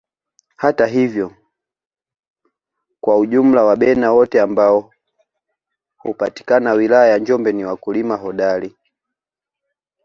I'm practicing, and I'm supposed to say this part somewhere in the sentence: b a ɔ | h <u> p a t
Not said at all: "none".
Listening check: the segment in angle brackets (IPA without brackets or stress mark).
u